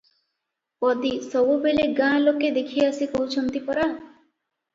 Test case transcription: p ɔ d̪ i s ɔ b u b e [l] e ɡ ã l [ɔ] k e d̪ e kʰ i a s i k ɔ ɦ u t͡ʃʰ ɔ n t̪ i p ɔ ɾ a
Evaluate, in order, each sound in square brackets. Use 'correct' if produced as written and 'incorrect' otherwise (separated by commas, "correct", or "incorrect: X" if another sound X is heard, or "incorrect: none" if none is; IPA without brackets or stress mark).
correct, incorrect: o